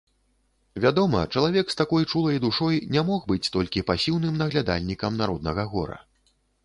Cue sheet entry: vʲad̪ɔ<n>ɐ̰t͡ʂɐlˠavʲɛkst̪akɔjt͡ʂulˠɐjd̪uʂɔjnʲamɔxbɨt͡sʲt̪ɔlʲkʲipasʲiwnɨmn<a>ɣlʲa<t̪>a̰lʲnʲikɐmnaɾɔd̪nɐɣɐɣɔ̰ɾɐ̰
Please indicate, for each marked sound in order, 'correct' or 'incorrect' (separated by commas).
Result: incorrect, incorrect, incorrect